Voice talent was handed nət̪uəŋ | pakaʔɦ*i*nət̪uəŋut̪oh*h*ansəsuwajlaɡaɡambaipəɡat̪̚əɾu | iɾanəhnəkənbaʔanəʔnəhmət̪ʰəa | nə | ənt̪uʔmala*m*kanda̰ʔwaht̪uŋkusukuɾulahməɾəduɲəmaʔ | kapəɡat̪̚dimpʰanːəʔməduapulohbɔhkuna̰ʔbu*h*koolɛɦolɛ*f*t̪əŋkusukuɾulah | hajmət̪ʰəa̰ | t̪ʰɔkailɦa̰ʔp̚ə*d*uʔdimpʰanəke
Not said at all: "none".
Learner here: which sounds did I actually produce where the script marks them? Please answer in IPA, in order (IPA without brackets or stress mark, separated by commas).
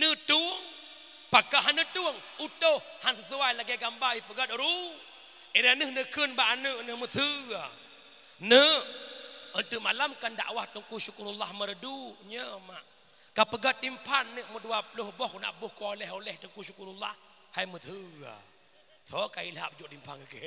a, h, m, h, h, d͡ʒ